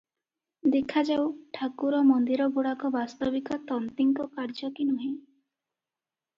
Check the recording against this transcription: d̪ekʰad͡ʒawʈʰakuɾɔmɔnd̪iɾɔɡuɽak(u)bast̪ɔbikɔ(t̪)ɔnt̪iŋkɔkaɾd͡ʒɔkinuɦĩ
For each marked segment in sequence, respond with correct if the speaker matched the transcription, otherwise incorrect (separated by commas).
incorrect, correct